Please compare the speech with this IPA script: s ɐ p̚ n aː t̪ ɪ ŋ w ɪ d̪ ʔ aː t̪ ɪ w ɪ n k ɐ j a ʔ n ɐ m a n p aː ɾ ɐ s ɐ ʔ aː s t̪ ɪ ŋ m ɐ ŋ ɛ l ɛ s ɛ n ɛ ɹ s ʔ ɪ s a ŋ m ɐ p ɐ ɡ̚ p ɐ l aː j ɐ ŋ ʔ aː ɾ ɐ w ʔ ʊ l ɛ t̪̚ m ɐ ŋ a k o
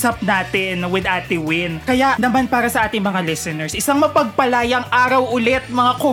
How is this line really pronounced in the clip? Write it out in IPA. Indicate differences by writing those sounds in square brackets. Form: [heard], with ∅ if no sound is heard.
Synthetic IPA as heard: s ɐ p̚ n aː t̪ ɪ [n] w ɪ d̪ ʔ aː t̪ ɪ w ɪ n k ɐ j a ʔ n ɐ m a n p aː ɾ ɐ s ɐ ʔ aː [∅] t̪ ɪ ŋ m ɐ ŋ [a] l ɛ s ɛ n ɛ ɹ s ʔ ɪ s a ŋ m ɐ p ɐ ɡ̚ p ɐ l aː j ɐ ŋ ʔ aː ɾ ɐ w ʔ ʊ l ɛ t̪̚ m ɐ ŋ a k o